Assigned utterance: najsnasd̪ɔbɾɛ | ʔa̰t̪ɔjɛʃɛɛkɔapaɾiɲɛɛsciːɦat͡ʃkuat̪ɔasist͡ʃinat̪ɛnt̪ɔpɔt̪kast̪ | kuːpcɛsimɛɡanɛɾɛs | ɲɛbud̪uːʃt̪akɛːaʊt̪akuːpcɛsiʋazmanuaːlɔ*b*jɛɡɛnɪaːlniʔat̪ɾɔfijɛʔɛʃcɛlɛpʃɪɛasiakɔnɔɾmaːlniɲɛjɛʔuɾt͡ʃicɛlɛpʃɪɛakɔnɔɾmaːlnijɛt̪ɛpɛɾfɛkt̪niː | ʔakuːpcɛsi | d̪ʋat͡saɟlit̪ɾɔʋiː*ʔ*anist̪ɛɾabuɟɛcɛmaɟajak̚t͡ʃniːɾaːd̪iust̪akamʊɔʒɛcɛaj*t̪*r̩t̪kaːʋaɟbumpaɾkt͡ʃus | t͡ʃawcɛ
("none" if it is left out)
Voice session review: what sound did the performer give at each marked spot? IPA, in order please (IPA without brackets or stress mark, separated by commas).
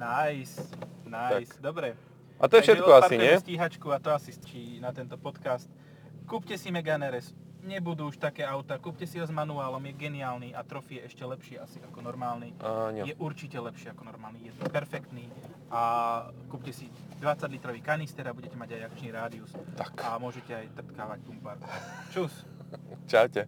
m, k, t̪